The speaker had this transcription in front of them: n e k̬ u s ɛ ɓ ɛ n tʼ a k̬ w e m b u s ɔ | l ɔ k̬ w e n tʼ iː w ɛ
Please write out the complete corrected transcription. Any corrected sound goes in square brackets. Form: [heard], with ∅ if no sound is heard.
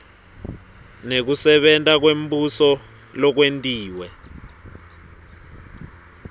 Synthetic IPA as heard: n e k̬ u s ɛ ɓ ɛ n tʼ a k̬ w e m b u s ɔ | l ɔ k̬ w e n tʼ iː w ɛ